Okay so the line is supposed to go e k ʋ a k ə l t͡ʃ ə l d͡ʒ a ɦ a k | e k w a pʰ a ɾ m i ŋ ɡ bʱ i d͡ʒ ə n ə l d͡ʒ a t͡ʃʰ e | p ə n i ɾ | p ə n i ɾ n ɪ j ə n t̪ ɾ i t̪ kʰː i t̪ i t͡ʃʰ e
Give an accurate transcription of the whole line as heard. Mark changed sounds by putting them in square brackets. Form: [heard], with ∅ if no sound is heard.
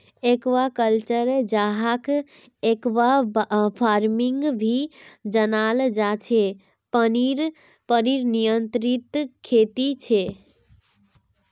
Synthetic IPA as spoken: e k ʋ a k ə l t͡ʃ ə [ɾ] d͡ʒ a ɦ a k | e k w a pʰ a ɾ m i ŋ ɡ bʱ i d͡ʒ ə n [a] l d͡ʒ a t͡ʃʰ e | p ə n i ɾ | p ə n i ɾ n [i] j ə n t̪ ɾ i t̪ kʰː [e] t̪ i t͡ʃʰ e